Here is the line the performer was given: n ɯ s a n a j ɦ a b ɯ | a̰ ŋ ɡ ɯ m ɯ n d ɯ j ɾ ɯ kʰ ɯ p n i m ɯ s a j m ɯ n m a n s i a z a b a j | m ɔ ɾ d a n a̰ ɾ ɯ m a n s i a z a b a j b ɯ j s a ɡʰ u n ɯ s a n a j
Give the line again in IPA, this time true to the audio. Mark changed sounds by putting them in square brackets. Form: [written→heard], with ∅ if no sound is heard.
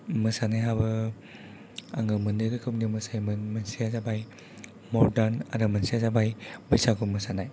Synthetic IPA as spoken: [n→m] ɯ s a n a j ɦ a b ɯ | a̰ ŋ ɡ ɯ m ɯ n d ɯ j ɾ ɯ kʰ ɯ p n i m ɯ s a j m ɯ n m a n s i a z a b a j | m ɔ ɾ d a n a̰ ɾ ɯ m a n s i a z a b a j b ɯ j s a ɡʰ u [n→m] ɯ s a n a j